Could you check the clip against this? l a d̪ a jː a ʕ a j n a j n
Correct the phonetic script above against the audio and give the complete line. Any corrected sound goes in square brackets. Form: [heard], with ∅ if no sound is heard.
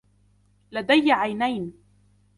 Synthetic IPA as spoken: l a d̪ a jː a ʕ a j n a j n